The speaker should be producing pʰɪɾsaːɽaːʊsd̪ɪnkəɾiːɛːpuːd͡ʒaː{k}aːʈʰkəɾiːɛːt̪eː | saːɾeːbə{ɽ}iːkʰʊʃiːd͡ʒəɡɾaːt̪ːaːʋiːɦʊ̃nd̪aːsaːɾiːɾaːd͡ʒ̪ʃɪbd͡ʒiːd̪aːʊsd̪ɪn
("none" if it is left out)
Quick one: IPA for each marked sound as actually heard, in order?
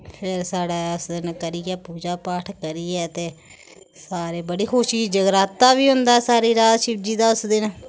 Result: p, ɽ

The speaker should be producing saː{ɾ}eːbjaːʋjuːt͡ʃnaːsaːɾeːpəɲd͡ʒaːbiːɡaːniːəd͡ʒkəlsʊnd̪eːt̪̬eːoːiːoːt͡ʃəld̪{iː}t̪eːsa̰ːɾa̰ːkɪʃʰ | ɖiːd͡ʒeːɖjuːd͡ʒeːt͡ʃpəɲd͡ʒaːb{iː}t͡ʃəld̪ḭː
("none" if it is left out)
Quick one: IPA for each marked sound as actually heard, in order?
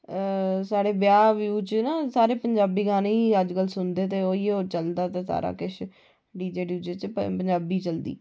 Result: ɽ, aː, iː

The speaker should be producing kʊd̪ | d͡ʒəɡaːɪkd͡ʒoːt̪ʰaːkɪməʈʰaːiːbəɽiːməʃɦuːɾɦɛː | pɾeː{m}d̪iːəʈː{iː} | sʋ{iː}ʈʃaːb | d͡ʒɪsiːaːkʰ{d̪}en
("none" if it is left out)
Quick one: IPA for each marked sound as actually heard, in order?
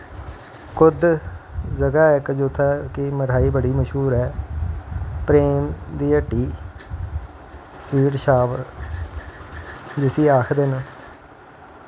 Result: m, iː, iː, d̪

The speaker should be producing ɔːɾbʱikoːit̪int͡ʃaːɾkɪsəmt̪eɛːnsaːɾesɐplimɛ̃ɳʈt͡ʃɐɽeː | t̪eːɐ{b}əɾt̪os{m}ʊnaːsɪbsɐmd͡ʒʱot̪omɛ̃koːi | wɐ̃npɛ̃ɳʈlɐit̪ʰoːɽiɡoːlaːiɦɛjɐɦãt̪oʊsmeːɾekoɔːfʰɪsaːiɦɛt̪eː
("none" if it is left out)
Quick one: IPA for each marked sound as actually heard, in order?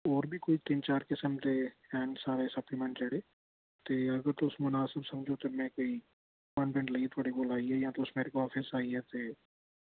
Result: ɡ, m

